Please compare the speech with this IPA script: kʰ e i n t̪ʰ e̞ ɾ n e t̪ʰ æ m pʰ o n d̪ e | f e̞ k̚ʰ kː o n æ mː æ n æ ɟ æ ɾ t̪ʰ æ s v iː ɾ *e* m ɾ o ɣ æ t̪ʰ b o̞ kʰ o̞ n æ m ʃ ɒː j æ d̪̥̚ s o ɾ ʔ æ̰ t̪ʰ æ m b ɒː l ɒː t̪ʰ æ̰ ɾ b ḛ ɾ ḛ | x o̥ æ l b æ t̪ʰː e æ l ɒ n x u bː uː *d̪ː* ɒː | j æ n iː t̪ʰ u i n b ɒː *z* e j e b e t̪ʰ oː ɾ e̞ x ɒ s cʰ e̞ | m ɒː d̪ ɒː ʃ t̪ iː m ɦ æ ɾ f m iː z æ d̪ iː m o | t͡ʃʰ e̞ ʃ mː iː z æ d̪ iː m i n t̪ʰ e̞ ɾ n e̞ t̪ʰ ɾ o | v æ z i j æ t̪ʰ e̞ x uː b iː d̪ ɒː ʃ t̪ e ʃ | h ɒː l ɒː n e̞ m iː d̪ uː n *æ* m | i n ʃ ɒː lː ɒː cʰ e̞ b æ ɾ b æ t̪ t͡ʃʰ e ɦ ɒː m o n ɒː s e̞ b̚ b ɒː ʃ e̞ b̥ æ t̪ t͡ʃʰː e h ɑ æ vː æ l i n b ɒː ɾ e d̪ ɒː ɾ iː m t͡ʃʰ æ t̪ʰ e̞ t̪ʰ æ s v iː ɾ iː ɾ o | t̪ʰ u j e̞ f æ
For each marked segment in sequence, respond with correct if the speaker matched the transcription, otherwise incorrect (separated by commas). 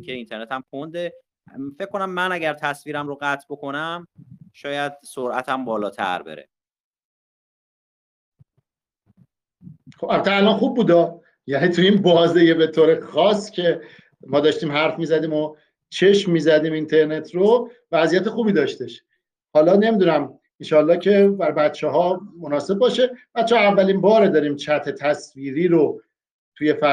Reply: incorrect, incorrect, correct, correct